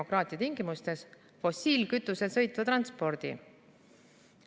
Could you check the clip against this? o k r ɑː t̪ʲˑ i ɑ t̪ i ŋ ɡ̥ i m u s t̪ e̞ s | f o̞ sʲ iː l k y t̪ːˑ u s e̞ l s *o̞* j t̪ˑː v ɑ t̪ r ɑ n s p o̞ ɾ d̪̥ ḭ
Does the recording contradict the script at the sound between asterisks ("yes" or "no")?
yes